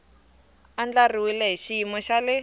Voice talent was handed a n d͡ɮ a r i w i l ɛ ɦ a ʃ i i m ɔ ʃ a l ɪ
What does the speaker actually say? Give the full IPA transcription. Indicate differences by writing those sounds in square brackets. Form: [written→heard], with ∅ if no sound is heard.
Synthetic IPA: a n d͡ɮ a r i w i l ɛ ɦ [a→i] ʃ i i m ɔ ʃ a l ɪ